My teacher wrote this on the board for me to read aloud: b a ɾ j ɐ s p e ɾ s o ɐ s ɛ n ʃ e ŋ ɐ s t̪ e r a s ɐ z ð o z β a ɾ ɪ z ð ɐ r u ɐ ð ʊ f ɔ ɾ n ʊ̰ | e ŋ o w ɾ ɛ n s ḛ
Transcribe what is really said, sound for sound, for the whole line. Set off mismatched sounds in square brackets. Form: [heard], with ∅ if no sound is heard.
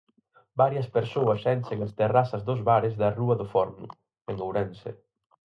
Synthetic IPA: b a ɾ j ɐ s p e ɾ s o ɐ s ɛ n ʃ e ŋ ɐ s t̪ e r a s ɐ z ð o z β a ɾ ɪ z ð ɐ r u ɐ ð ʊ f ɔ ɾ n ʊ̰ | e ŋ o w ɾ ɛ n s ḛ